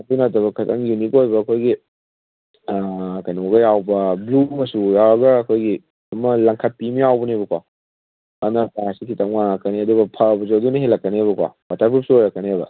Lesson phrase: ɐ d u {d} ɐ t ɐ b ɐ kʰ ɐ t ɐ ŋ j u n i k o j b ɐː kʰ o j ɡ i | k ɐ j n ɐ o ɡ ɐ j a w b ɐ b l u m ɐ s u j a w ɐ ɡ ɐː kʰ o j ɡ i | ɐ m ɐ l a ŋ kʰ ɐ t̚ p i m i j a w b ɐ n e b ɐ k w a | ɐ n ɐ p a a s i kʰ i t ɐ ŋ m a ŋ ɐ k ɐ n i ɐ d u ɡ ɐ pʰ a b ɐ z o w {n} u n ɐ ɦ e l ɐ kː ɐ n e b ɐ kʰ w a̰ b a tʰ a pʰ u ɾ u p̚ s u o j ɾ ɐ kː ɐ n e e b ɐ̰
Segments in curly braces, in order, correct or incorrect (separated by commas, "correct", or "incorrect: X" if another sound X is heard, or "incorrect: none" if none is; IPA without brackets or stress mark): incorrect: n, incorrect: d